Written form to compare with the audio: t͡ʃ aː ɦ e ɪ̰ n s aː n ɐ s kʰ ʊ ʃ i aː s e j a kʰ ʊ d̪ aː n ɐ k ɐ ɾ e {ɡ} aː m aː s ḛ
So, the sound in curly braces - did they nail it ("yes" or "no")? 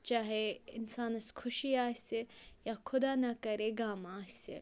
yes